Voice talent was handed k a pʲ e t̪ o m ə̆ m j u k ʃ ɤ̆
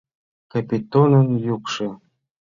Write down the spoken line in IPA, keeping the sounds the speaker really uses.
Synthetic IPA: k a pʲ i t̪ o n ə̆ n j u k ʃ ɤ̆